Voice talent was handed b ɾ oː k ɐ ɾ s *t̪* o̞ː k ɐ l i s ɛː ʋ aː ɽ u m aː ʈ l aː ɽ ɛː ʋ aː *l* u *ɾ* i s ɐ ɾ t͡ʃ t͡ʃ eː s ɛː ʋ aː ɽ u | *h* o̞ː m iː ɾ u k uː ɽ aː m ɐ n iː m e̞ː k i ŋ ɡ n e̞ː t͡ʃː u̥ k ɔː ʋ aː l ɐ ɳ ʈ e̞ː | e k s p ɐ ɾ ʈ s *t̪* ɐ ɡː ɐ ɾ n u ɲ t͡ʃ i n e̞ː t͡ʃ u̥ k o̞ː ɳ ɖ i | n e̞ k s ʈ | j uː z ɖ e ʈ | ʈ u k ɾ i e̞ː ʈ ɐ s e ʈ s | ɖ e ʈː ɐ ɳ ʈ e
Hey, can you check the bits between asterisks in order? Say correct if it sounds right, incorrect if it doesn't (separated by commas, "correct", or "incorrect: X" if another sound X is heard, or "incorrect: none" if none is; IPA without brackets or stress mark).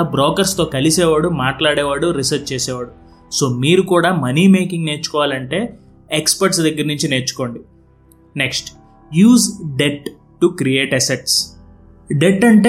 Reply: correct, incorrect: ɽ, correct, incorrect: s, incorrect: d̪